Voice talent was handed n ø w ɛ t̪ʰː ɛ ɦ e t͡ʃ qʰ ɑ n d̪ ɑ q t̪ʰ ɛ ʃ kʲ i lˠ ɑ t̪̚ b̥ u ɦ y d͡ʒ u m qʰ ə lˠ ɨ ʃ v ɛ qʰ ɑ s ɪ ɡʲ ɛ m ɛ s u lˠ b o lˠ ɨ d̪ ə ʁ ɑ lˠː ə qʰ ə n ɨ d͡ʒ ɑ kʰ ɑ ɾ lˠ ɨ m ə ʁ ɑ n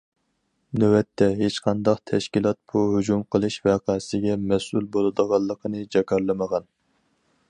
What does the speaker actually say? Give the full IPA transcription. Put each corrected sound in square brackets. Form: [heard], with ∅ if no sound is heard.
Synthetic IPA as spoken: n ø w ɛ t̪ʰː ɛ ɦ e t͡ʃ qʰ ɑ n d̪ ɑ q t̪ʰ ɛ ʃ kʲ i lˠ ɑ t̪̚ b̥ u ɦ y d͡ʒ u m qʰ ə lˠ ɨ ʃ v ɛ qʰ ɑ s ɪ ɡʲ ɛ m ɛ s u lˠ b o lˠ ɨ d̪ ə ʁ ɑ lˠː ə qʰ ə n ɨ d͡ʒ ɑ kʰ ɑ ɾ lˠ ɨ m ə ʁ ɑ n